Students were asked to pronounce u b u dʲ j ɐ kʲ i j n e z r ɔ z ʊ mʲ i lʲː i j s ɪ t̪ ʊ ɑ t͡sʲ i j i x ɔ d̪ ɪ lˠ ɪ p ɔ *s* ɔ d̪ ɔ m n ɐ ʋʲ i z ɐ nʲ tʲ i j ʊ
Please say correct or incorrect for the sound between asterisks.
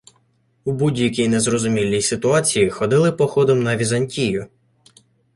incorrect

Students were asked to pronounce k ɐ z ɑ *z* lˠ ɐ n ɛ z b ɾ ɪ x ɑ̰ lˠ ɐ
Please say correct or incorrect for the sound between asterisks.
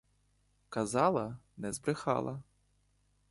incorrect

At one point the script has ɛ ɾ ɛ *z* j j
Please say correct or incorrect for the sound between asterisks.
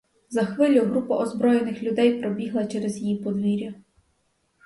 correct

